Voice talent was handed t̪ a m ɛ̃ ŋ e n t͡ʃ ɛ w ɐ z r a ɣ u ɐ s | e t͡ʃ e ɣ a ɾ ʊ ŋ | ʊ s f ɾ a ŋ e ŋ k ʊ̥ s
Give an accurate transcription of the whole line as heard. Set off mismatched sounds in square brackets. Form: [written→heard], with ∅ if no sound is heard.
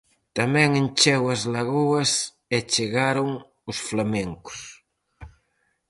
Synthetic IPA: t̪ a m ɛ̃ ŋ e n t͡ʃ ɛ w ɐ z [r→l] a ɣ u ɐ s | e t͡ʃ e ɣ a ɾ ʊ ŋ | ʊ s f [ɾ→l] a [ŋ→m] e ŋ k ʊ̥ s